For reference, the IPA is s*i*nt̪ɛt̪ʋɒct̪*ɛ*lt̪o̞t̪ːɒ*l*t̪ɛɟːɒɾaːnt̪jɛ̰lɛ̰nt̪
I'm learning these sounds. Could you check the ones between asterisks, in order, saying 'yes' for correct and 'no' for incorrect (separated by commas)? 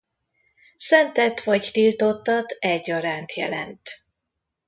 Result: no, no, no